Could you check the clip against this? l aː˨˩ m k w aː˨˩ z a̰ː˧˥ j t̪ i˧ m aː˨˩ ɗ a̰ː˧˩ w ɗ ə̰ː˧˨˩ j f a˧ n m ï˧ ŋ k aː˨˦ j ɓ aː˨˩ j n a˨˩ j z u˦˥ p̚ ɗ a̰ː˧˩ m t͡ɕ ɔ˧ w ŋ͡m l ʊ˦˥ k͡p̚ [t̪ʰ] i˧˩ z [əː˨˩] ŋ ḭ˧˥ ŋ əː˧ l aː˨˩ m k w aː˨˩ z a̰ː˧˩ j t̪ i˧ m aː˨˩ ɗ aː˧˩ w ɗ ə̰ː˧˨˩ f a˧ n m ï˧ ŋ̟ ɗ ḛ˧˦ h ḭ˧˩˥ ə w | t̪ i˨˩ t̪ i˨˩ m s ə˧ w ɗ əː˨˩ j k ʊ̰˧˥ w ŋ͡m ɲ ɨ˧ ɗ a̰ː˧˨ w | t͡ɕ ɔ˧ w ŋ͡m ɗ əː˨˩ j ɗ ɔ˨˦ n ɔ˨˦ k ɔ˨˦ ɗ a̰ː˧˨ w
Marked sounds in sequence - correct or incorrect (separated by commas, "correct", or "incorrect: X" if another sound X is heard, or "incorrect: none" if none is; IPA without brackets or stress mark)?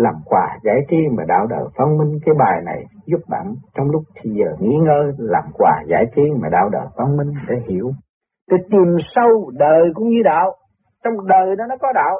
correct, correct